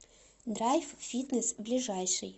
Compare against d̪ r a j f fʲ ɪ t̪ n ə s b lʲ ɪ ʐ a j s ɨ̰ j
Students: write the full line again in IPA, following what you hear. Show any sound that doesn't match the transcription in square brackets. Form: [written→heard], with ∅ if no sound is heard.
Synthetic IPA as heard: d̪ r a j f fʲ [ɪ→i] t̪ n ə s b lʲ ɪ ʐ a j [s→ʂ] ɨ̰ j